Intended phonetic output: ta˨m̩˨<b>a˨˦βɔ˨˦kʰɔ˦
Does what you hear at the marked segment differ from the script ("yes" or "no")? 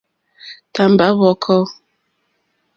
no